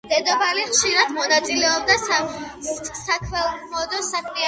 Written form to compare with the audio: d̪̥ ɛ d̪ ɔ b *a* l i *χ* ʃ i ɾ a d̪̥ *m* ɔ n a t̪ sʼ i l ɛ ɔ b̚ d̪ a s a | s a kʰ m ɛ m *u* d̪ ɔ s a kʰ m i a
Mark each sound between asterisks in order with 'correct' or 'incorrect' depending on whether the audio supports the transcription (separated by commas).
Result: correct, correct, correct, incorrect